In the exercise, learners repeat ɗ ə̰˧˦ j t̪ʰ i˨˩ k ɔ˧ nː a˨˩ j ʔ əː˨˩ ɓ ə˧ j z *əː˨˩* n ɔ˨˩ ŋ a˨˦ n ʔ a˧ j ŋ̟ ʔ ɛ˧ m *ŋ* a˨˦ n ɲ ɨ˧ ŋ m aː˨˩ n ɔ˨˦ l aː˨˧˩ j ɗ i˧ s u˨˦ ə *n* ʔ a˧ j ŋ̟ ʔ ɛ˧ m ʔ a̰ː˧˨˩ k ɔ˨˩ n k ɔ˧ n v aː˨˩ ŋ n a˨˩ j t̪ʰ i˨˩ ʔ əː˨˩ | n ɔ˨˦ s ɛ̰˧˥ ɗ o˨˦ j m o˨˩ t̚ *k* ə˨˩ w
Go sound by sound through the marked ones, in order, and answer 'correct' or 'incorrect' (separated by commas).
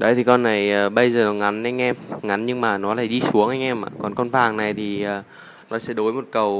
correct, correct, incorrect, correct